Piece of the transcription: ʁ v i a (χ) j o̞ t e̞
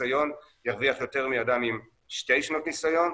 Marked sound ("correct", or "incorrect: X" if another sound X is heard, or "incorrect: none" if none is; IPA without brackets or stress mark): correct